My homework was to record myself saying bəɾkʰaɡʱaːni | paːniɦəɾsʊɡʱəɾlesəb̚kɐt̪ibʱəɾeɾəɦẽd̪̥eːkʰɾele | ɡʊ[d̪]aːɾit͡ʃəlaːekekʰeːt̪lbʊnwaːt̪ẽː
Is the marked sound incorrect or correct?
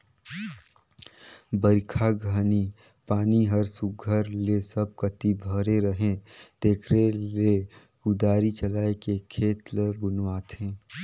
correct